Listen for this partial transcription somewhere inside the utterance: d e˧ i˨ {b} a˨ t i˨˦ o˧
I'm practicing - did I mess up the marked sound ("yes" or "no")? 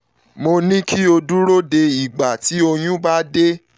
yes